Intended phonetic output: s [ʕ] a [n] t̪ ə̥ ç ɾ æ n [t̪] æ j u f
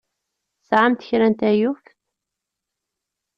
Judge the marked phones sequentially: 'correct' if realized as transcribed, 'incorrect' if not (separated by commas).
correct, incorrect, correct